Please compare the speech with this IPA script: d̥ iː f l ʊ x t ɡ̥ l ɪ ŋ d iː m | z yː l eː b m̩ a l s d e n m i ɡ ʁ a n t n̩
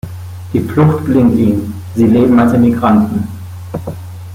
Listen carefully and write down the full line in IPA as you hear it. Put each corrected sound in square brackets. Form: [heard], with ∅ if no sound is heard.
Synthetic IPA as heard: d̥ iː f l ʊ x t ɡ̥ l ɪ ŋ [t] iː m | z [iː] l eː b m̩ a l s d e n m i ɡ ʁ a n t n̩